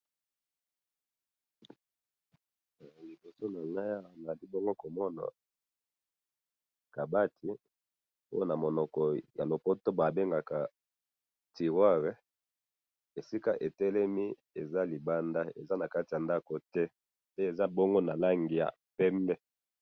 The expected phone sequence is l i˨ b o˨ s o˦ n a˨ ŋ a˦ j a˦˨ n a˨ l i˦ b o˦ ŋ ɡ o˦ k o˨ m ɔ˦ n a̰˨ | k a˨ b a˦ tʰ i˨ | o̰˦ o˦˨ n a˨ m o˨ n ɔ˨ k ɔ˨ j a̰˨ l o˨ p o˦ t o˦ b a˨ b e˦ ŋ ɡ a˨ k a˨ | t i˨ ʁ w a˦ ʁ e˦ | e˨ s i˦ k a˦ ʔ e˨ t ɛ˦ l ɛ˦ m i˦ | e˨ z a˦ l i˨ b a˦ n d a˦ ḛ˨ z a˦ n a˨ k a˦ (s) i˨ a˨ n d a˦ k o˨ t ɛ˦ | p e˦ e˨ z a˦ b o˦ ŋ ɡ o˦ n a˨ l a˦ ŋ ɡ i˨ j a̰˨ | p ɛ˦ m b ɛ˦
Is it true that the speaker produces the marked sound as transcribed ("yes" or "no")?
no